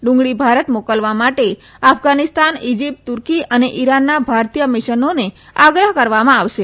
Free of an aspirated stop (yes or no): yes